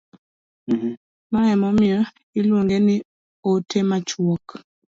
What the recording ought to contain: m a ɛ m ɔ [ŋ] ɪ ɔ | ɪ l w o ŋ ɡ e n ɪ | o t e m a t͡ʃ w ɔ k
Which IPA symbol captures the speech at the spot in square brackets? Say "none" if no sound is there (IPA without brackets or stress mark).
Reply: m